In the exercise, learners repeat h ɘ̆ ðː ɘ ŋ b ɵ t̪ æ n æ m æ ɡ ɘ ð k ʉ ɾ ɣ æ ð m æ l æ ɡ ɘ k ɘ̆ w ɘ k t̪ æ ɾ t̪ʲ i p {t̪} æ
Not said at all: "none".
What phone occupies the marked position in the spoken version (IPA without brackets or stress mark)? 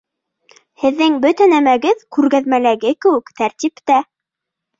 t̪